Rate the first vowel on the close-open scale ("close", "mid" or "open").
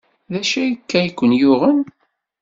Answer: open